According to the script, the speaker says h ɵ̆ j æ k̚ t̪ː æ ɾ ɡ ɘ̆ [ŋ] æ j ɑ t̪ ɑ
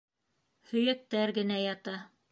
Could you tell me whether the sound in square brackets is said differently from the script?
yes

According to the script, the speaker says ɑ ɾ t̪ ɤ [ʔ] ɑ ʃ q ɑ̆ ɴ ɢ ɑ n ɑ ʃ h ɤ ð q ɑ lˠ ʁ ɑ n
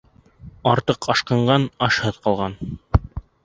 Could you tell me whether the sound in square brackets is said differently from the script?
yes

